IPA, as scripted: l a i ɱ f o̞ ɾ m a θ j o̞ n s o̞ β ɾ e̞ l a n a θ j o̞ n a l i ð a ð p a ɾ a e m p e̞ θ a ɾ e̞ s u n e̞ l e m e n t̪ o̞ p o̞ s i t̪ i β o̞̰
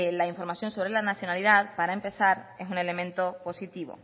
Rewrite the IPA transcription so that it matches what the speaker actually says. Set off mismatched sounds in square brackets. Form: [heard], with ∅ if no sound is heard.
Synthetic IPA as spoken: l a i ɱ f o̞ ɾ m a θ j o̞ n s o̞ β ɾ e̞ l a n a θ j o̞ n a l i ð a ð p a ɾ a e m p e̞ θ a ɾ e̞ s u n e̞ l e m [ẽ] n t̪ o̞ p o̞ s i t̪ i β o̞̰